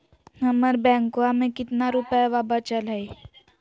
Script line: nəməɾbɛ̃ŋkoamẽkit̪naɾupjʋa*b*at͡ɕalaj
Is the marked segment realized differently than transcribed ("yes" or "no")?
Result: no